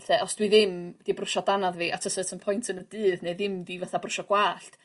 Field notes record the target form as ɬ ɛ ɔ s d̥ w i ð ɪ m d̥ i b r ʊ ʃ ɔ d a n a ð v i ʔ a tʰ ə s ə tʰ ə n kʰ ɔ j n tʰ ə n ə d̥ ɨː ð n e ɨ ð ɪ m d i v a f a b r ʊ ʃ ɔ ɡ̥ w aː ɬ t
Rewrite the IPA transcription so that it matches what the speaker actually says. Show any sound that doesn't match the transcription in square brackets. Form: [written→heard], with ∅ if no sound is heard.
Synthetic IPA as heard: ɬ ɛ ɔ s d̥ w i ð ɪ m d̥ i b r ʊ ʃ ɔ d a n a ð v i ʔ a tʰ ə s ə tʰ ə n [kʰ→pʰ] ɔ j n tʰ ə n ə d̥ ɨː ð n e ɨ ð ɪ m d i v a [f→θ] a b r ʊ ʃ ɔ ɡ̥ w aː ɬ t